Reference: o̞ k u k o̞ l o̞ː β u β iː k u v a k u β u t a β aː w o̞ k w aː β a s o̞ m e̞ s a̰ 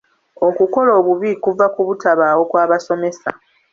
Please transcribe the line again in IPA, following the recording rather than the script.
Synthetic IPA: o̞ k u k o̞ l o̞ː β u β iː k u v a k u β u t a β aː w o̞ k w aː β a s o̞ m e̞ s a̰